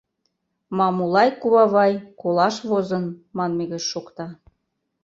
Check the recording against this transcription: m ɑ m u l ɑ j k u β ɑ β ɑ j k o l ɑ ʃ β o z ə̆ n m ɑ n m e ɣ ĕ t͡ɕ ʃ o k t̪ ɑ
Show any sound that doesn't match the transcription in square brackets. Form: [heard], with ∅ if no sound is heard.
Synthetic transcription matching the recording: m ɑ m u l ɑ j k u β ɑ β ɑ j k o l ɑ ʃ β o z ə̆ n m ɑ n m e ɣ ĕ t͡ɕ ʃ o k t̪ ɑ